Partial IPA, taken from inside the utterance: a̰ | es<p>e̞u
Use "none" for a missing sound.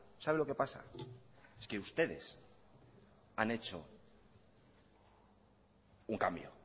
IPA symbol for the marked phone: k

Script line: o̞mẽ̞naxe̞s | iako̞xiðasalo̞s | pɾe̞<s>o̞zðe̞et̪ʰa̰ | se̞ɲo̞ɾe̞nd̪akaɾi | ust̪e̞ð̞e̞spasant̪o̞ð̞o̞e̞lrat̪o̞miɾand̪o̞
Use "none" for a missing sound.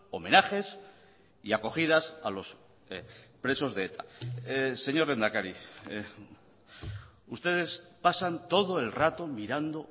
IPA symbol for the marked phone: s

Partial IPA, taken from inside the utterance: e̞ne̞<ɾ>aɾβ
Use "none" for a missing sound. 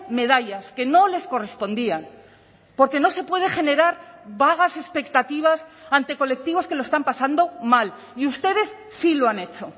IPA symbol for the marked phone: ɾ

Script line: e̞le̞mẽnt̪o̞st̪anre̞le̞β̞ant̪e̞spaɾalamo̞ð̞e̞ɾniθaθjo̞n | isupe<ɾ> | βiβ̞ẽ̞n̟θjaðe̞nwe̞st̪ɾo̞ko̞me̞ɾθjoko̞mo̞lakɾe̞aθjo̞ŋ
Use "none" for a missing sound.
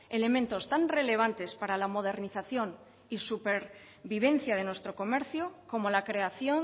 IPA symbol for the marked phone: ɾ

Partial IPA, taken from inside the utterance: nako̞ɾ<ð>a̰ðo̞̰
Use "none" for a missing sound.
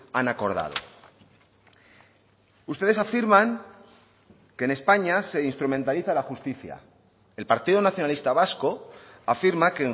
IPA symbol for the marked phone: ð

